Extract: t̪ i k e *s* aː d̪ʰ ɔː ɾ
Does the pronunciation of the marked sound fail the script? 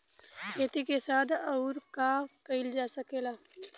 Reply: no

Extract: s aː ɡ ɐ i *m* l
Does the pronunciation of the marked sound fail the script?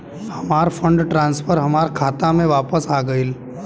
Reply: yes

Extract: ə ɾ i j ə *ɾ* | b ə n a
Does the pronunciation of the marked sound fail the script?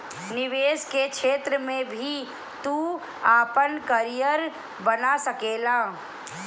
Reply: no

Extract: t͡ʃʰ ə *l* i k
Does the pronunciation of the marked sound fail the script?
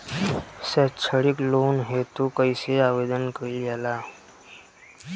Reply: yes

